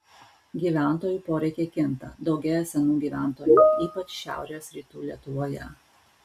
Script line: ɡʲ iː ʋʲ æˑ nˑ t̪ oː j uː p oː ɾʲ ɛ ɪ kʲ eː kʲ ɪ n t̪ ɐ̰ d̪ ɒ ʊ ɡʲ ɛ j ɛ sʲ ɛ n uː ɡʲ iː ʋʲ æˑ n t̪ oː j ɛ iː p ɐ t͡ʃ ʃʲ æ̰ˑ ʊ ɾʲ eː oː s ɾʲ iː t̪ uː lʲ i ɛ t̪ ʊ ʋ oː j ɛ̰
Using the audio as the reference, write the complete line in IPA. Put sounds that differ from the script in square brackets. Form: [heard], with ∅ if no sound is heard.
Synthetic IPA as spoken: ɡʲ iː ʋʲ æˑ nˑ t̪ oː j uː p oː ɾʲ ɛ ɪ kʲ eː kʲ ɪ n t̪ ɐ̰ d̪ ɒ ʊ ɡʲ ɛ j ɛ sʲ ɛ n uː ɡʲ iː ʋʲ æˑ n t̪ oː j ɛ iː p ɐ t͡ʃ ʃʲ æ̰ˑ ʊ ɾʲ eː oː s ɾʲ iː t̪ uː lʲ i ɛ t̪ ʊ ʋ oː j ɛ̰